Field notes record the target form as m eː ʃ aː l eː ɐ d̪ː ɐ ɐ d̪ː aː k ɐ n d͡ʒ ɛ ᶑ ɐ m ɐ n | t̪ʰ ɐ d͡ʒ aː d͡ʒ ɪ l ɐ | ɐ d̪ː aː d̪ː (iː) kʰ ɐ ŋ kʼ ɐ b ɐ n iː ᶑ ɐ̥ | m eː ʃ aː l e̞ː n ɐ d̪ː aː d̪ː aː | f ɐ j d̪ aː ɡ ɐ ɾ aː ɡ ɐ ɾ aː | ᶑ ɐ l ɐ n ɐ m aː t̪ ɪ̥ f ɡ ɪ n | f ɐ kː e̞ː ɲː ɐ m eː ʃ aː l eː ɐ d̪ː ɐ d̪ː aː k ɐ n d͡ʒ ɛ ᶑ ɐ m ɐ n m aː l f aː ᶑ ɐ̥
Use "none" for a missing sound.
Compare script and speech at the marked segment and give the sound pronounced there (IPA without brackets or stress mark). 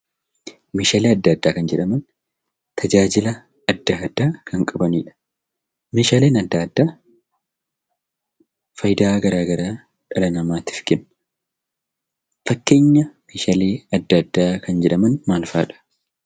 aː